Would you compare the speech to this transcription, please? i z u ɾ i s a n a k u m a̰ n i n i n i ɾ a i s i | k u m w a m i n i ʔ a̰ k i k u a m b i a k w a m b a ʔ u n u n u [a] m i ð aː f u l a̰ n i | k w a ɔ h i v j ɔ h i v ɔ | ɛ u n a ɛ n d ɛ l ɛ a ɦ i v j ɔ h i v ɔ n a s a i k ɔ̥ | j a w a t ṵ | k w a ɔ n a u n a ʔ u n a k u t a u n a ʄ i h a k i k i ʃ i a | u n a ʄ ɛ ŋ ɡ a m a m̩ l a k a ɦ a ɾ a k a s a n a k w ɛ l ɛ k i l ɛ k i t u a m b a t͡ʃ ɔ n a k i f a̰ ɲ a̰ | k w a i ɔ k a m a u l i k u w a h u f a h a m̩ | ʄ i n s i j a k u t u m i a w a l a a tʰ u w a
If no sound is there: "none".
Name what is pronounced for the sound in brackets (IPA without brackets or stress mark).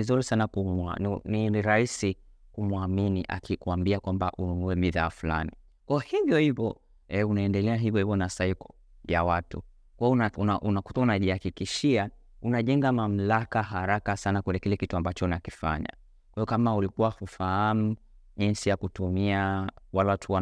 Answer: ɛ